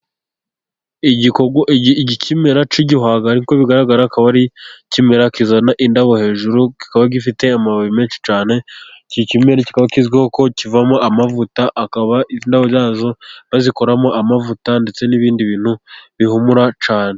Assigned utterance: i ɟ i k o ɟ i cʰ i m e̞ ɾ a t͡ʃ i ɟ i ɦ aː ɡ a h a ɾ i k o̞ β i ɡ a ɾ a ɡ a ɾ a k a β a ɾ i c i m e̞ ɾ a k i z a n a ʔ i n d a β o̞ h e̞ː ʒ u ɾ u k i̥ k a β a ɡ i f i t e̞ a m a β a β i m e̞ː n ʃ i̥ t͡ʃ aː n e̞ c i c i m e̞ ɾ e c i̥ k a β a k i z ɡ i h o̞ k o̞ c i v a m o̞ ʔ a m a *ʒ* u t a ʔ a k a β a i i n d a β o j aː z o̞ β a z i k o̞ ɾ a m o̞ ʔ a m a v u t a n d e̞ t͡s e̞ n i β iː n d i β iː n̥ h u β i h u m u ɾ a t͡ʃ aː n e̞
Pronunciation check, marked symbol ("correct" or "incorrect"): incorrect